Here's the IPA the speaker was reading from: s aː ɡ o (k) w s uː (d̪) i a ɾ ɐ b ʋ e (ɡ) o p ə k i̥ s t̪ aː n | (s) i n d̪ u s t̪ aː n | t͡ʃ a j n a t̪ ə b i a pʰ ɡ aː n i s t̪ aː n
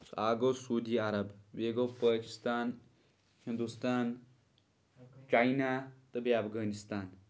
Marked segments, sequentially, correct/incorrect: incorrect, correct, correct, incorrect

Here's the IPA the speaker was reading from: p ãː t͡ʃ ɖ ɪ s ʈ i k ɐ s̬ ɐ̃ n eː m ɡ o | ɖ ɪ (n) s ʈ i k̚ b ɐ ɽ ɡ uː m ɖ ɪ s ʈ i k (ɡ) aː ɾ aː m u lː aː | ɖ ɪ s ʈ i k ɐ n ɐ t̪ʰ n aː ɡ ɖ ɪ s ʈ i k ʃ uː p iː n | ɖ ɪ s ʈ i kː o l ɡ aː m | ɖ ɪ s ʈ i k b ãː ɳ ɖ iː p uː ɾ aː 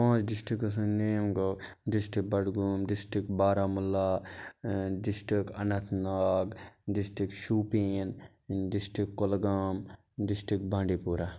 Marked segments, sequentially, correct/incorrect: incorrect, incorrect

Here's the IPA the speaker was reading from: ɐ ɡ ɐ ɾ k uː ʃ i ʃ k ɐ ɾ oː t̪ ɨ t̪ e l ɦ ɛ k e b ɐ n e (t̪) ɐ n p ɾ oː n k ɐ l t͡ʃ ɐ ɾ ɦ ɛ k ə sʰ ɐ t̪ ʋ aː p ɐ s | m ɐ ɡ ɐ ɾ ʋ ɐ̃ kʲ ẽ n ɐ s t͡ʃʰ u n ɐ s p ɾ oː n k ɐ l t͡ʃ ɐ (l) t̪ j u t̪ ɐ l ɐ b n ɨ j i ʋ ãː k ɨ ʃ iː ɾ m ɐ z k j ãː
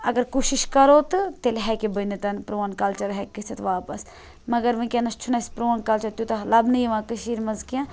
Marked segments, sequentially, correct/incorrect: correct, incorrect

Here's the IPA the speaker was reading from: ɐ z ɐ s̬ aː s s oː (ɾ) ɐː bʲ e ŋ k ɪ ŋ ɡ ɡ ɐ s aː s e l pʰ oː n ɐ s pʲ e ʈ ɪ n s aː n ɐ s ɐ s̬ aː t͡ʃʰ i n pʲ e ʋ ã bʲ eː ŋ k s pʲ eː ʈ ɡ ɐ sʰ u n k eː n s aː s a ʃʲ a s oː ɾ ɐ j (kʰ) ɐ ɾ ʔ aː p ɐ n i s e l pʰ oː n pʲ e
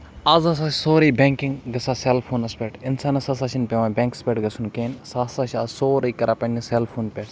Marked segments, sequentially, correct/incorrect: correct, incorrect

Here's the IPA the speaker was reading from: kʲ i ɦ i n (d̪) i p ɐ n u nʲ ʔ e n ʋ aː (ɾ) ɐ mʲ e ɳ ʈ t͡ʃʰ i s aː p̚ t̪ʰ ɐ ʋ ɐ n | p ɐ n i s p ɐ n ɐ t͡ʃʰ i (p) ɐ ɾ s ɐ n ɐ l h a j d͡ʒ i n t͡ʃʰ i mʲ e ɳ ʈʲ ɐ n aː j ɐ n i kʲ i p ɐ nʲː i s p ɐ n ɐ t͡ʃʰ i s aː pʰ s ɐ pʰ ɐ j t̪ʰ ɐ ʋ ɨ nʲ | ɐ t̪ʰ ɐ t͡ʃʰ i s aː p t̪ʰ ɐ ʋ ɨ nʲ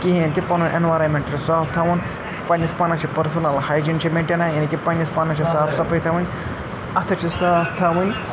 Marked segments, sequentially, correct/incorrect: incorrect, correct, correct

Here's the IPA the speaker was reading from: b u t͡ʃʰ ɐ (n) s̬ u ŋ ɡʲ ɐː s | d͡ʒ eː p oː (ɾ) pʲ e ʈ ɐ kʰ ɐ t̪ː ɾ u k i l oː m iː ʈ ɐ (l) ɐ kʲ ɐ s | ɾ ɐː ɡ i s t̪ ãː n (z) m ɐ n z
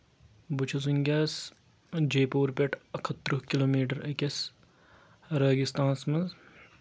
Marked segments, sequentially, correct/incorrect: incorrect, correct, incorrect, incorrect

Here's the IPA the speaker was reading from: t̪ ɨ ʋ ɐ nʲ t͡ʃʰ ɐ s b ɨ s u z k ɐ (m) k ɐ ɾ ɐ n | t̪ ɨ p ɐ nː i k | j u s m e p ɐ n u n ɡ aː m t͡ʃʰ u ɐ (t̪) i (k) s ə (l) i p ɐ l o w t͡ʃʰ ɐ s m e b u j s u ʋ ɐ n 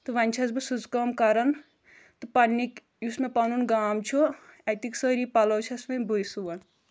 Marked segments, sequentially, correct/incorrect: correct, correct, correct, incorrect

